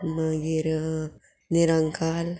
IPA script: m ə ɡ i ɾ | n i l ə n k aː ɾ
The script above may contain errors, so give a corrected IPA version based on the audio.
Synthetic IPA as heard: m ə ɡ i ɾ | n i ɾ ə ŋ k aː l